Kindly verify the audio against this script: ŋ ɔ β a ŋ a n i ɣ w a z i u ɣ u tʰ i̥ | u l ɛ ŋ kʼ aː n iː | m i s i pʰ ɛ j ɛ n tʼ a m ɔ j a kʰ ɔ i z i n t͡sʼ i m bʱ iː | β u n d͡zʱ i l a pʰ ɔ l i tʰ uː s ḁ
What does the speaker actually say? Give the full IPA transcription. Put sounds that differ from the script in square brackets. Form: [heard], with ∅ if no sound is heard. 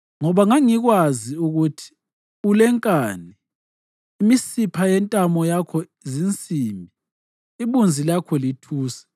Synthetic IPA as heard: ŋ ɔ β a ŋ a [ŋ] i ɣ w a z i u ɣ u tʰ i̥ | u l ɛ ŋ kʼ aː n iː | m i s i pʰ [a] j ɛ n tʼ a m ɔ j a kʰ ɔ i z i n t͡sʼ i m bʱ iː | β u n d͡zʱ i l a [kʰ] ɔ l i tʰ uː s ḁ